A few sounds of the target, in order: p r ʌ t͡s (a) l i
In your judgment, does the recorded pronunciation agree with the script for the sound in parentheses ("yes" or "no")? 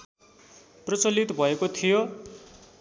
no